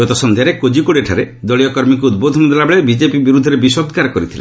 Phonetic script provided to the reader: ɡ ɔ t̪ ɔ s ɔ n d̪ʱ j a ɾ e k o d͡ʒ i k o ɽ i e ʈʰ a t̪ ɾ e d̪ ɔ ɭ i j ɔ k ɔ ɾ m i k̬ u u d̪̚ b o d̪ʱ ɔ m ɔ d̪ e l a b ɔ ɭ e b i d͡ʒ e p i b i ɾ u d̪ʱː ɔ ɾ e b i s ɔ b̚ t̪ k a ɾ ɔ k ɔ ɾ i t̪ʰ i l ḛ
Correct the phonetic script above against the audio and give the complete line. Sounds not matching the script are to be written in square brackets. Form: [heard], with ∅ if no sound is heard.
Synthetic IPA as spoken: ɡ ɔ t̪ ɔ s ɔ n d̪ʱ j a ɾ e k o d͡ʒ i k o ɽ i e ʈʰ a [∅] ɾ e d̪ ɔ ɭ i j ɔ k ɔ ɾ m i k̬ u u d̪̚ b o d̪ʱ ɔ [n] ɔ d̪ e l a b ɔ ɭ e b i d͡ʒ e p i b i ɾ u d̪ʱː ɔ ɾ e b i s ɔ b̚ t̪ k a ɾ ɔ k ɔ ɾ i t̪ʰ i l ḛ